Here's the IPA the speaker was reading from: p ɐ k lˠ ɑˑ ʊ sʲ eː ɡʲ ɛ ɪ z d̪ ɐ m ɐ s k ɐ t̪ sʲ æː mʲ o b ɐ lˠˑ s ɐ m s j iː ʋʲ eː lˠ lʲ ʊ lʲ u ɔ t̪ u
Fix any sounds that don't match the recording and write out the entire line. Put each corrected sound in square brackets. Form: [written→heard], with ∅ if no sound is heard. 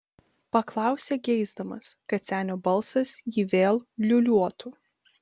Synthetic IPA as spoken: p ɐ k lˠ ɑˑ ʊ sʲ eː ɡʲ ɛ ɪ z d̪ ɐ m ɐ s k ɐ t̪ sʲ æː [mʲ→nʲ] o b ɐ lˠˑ s ɐ [m→∅] s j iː ʋʲ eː lˠ lʲ ʊ lʲ u ɔ t̪ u